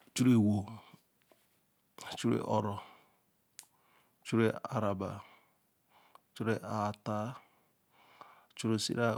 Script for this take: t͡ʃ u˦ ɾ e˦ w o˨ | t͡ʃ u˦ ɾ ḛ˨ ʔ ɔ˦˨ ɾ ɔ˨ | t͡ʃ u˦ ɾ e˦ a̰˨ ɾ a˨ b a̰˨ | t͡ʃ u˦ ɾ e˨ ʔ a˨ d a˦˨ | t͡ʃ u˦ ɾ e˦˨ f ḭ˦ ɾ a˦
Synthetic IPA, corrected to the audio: t͡ʃ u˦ ɾ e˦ w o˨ | t͡ʃ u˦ ɾ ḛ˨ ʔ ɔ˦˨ ɾ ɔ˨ | t͡ʃ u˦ ɾ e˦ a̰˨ ɾ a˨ b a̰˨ | t͡ʃ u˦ ɾ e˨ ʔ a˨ t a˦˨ | t͡ʃ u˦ ɾ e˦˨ s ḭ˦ ɾ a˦